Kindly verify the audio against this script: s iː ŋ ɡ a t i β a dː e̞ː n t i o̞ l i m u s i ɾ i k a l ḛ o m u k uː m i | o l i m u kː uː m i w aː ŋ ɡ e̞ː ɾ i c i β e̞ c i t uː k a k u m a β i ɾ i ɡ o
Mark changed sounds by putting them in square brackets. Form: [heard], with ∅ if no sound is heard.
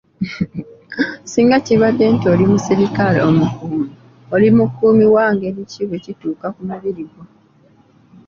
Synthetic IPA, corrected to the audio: s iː ŋ ɡ a [c] i β a dː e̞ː n t i o̞ l i m u s i ɾ i k a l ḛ o m u k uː m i | o l i m u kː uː m i w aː ŋ ɡ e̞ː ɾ i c i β e̞ c i t uː k a k u m a β i ɾ i ɡ o

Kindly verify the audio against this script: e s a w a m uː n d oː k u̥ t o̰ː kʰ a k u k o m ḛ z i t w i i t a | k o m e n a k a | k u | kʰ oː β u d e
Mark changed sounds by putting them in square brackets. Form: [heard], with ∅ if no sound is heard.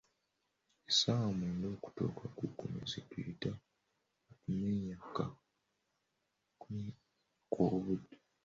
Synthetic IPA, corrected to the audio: e s a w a m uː n d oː k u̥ t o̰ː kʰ a k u k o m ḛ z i t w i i t a | k [u] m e [ɲ] a k a | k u | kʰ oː β u d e

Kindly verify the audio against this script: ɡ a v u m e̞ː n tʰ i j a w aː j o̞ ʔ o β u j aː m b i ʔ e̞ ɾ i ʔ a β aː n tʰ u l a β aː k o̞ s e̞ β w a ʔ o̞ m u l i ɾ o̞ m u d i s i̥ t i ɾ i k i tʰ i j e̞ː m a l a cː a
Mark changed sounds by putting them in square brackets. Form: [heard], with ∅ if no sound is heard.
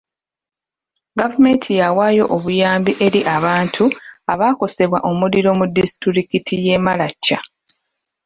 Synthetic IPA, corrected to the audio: ɡ a v u m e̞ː n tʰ i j a w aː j o̞ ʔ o β u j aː m b i ʔ e̞ ɾ i ʔ a β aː n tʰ u [∅] a β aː k o̞ s e̞ β w a ʔ o̞ m u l i ɾ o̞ m u d i s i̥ t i ɾ i k i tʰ i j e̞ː m a l a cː a

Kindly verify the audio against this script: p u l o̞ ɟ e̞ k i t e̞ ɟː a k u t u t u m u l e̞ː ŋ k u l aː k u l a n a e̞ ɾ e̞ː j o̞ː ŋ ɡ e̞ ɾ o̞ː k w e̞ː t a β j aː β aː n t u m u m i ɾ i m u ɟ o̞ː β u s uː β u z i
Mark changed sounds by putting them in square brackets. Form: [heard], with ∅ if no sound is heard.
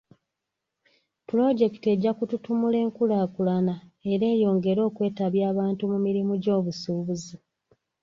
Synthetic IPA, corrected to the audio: p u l o̞ ɟ e̞ k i t e̞ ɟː a k u t u t u m u l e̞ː ŋ k u l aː k u l a n a e̞ ɾ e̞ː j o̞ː ŋ ɡ e̞ ɾ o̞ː k w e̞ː t a β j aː β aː n t u m u m i ɾ i m u ɟ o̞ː β u s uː β u z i

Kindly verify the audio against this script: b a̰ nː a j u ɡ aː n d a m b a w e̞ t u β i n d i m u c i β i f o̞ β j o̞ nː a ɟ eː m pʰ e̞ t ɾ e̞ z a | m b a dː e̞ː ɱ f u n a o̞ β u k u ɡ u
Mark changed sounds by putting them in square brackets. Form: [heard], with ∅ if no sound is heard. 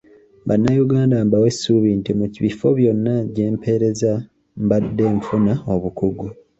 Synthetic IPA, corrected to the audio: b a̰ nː a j u ɡ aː n d a m b a w e̞ [s] u β i n [t] i m u c i β i f o̞ β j o̞ nː a ɟ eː m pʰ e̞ [∅] ɾ e̞ z a | m b a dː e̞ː ɱ f u n a o̞ β u k u ɡ u

